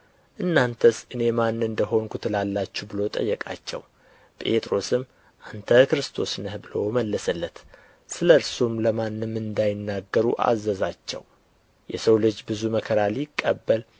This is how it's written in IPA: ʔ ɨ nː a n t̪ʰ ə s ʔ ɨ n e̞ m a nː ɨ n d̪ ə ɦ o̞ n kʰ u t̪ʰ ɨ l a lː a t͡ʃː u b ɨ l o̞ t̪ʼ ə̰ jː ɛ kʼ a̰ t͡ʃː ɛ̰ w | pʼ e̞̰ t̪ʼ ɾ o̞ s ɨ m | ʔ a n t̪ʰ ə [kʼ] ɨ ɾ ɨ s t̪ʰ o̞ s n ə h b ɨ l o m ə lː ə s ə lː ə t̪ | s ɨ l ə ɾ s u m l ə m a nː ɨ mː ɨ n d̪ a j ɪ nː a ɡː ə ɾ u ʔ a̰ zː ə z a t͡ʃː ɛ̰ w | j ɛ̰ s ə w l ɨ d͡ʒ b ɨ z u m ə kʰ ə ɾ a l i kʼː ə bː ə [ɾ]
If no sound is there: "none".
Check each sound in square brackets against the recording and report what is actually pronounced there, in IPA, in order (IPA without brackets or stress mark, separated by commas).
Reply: k, l